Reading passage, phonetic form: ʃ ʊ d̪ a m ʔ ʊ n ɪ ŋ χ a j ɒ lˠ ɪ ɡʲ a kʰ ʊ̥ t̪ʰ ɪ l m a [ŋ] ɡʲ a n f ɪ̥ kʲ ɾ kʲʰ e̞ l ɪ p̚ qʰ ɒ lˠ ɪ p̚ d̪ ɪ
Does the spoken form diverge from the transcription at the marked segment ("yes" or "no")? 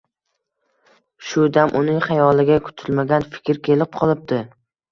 yes